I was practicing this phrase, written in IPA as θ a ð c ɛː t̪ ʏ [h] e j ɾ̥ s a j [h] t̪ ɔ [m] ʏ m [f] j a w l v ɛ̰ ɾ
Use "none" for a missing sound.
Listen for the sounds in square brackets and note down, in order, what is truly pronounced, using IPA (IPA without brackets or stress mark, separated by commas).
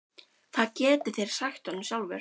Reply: θ, x, n, s